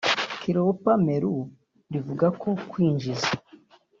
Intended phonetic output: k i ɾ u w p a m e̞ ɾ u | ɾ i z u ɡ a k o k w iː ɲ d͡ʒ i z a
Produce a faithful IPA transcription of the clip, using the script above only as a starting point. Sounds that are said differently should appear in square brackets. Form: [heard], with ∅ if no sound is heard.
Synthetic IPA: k i ɾ [o] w p a m e̞ ɾ u | ɾ i [v] u ɡ a k o k w iː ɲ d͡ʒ i z a